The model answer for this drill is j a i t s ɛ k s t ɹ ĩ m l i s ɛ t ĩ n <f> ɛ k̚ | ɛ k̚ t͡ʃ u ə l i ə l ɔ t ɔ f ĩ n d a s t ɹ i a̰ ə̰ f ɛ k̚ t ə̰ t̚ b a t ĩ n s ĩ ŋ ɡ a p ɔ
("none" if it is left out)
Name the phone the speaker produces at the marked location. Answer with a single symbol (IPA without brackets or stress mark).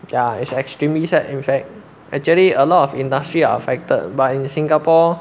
f